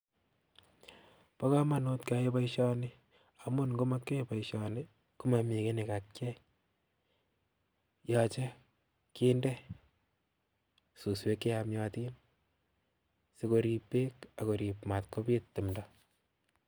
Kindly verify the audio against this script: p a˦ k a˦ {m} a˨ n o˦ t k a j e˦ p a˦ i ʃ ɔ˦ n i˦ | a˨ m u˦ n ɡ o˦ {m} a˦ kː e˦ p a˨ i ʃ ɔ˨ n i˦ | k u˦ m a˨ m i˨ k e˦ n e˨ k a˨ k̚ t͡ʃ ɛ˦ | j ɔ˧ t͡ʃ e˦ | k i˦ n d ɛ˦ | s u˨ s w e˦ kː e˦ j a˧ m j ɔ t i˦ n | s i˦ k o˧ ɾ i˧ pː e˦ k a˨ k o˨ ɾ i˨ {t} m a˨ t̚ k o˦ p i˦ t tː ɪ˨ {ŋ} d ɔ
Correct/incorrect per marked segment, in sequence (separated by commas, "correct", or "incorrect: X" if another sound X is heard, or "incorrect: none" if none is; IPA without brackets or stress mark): correct, correct, incorrect: p, incorrect: m